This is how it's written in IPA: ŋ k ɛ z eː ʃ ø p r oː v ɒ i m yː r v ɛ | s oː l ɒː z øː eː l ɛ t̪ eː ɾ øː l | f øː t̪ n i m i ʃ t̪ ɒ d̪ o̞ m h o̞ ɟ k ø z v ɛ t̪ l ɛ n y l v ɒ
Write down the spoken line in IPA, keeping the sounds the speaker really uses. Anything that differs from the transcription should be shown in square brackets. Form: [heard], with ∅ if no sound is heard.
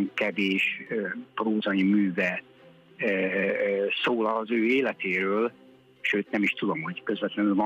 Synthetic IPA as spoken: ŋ k ɛ [v] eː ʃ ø p r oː [z] ɒ i m yː [∅] v ɛ | s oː l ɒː z øː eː l ɛ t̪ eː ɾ øː l | [ʃ] øː t̪ n [ɛ] m i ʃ t̪ [u] d̪ o̞ m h o̞ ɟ k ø z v ɛ t̪ l ɛ n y l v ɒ